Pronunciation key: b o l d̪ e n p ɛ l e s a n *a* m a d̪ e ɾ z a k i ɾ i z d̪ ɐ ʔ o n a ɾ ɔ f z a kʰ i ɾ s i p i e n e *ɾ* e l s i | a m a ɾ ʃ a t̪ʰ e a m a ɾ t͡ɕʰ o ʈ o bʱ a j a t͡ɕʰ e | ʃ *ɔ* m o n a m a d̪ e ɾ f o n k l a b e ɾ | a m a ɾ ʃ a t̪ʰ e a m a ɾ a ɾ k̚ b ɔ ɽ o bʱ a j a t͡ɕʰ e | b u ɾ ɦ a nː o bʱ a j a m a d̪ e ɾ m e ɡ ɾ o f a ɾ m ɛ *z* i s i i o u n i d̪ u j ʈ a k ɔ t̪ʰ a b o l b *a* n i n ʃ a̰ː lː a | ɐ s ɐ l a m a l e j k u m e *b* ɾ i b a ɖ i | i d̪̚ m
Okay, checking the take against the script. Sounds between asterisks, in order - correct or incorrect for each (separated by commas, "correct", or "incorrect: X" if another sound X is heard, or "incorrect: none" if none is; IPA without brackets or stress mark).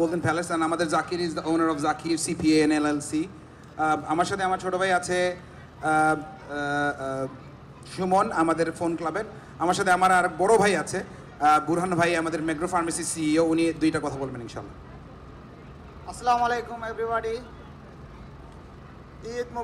correct, incorrect: l, incorrect: u, incorrect: s, incorrect: e, correct